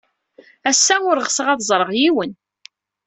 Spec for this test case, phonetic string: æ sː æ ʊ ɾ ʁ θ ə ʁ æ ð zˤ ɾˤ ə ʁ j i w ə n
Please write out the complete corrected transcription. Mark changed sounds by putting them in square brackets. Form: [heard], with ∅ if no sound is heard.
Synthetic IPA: æ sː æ ʊ ɾ ʁ [s] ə ʁ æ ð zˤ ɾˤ ə ʁ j i w ə n